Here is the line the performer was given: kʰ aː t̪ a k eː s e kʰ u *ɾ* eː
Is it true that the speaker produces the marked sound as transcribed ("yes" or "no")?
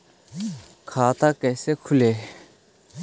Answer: no